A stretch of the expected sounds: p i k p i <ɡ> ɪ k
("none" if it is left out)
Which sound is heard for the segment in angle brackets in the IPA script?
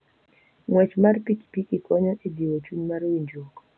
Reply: k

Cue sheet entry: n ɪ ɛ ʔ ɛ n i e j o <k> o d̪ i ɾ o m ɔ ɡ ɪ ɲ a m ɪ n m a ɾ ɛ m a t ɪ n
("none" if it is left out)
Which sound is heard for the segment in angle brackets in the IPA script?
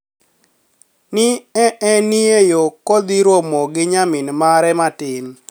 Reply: k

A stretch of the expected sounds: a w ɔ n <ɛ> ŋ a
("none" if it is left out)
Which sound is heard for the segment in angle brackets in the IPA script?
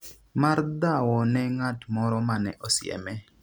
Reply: ɛ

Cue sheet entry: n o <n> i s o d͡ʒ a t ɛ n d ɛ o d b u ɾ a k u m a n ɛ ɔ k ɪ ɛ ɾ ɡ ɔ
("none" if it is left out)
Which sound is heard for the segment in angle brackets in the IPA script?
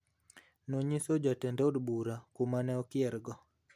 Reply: ɲ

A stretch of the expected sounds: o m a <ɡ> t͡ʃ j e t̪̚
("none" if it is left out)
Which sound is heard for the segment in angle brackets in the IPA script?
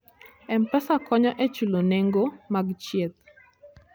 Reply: ɡ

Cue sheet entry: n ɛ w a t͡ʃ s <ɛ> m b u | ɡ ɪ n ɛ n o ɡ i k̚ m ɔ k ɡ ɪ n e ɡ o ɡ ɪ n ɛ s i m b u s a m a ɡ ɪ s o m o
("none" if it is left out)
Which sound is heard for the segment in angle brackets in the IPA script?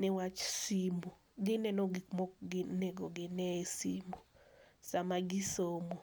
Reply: i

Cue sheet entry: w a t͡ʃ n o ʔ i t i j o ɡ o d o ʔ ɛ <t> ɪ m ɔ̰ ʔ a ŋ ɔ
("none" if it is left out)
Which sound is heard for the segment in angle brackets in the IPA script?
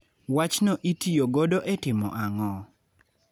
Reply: t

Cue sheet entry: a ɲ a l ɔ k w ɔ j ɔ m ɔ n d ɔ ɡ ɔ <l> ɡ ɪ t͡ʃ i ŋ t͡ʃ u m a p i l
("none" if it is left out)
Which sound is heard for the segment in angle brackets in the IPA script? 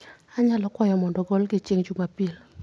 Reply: l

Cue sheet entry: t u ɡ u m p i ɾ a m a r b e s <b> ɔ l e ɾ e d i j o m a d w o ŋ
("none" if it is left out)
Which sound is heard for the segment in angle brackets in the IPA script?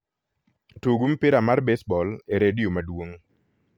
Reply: b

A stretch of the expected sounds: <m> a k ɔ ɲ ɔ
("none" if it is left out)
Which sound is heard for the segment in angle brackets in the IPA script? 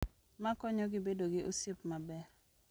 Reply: m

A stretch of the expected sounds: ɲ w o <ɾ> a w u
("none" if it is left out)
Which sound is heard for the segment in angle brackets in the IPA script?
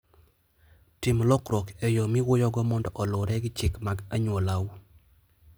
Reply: l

